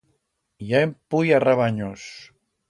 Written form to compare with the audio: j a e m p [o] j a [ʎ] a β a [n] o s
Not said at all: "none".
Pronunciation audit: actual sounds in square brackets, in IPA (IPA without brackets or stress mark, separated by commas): u, r, ɲ